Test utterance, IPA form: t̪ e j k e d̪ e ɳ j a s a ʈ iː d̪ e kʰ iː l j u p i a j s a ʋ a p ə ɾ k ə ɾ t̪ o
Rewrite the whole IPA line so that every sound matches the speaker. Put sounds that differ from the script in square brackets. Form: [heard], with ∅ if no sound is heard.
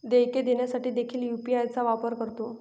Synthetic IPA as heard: [d̪] e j k e d̪ e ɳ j a s a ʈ iː d̪ e kʰ iː l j u p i a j [t͡s] a ʋ a p ə ɾ k ə ɾ t̪ o